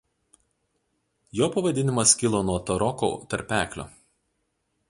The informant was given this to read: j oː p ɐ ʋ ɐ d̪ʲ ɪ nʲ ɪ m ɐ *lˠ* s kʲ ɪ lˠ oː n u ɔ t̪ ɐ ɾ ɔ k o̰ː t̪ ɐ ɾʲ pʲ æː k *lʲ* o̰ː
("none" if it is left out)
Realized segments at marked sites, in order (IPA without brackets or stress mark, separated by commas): none, lʲ